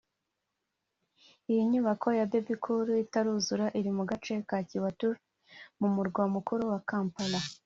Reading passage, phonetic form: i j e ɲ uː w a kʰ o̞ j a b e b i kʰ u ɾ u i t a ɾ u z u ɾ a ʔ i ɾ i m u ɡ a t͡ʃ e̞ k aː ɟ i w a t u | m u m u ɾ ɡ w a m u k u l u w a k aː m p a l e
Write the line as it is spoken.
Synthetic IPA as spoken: i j i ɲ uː β a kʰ o̞ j a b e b i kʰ u ɾ u i t a ɾ u z u ɾ a ʔ i ɾ i m u ɡ a t͡ʃ e̞ k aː c i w a t u | m u m u ɾ ɡ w a m u k u ɾ u w a k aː m p a l a